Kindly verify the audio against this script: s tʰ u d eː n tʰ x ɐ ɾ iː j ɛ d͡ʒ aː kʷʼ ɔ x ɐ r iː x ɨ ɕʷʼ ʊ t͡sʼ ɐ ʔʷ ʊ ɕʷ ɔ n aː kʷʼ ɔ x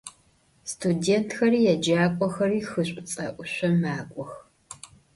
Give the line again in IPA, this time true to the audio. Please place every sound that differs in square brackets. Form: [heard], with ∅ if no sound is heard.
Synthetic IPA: s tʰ u d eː n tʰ x ɐ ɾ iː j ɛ d͡ʒ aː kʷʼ ɔ x ɐ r iː x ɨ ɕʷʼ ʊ t͡sʼ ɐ ʔʷ ʊ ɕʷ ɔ [m] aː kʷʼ ɔ x